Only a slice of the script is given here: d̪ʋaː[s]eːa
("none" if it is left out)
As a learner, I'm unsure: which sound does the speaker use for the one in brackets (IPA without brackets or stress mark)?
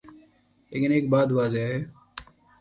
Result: z